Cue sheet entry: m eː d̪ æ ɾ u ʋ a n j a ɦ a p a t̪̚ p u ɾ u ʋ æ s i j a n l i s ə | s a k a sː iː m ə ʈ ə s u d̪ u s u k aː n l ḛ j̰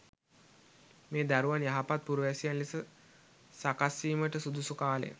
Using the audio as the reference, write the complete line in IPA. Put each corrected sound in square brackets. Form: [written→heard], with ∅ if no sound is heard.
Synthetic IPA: m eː d̪ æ ɾ u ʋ a n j a ɦ a p a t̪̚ p u ɾ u ʋ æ s i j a n l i s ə | s a k a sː iː m ə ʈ ə s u d̪ u s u k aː [n→∅] l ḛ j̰